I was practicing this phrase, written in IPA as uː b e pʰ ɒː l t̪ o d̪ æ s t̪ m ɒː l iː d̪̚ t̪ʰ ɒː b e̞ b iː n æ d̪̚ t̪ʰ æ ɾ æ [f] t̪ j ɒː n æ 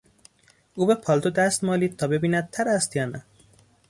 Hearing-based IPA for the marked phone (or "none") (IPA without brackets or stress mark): s